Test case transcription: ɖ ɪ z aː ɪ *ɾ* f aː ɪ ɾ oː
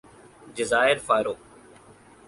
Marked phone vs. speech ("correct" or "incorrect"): correct